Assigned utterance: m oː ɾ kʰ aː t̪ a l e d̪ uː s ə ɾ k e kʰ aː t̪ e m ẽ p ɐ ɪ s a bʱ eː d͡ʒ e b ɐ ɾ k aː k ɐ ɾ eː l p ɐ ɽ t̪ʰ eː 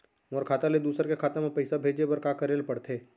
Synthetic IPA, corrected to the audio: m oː ɾ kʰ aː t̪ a l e d̪ uː s ə ɾ k e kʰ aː t̪ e m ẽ p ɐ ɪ s a bʱ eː d͡ʒ e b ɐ ɾ k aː k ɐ ɾ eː l p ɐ ɽ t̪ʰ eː